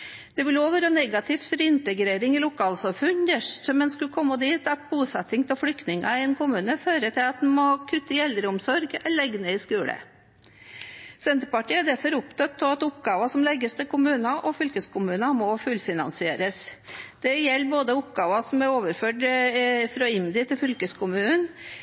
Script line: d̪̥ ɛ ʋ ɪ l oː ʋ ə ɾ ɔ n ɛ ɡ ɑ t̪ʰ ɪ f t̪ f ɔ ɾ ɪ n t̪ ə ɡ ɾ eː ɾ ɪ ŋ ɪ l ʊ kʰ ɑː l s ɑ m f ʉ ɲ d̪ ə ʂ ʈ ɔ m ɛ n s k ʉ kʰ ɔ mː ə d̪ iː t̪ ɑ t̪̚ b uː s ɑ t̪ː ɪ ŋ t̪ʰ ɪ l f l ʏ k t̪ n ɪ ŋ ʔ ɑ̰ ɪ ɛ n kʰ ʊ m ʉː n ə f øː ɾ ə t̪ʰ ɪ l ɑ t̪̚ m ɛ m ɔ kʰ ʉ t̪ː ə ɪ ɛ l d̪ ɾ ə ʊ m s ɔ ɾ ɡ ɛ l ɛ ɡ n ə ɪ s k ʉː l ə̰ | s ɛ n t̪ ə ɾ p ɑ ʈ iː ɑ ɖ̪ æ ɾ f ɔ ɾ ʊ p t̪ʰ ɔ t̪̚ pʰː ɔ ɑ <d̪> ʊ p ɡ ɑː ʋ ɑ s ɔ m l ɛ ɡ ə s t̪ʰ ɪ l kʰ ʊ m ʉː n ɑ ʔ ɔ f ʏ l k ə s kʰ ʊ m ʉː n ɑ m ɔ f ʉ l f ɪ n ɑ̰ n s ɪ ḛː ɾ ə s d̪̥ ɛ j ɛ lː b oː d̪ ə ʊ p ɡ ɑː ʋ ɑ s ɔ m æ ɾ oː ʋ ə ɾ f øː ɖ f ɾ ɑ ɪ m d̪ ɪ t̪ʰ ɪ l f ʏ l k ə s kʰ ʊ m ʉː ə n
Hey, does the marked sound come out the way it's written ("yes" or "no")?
no